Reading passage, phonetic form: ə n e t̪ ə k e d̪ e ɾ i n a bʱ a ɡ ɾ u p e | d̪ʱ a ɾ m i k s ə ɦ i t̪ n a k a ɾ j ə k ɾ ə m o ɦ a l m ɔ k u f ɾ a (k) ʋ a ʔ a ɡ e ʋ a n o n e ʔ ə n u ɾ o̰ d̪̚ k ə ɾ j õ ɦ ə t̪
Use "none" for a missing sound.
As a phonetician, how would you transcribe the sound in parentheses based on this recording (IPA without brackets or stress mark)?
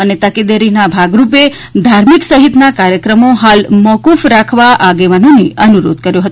kʰ